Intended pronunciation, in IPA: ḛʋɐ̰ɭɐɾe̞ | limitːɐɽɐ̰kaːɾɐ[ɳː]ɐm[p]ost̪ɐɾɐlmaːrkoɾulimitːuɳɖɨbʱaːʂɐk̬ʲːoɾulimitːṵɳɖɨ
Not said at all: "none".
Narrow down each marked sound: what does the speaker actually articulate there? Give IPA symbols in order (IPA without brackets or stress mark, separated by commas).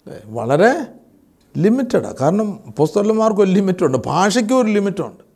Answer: ɳ, p